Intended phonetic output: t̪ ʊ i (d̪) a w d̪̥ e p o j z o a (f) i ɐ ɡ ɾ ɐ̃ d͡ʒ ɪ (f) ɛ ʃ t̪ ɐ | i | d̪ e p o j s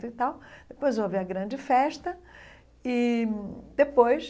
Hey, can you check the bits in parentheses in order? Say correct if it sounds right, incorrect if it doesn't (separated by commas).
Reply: incorrect, incorrect, correct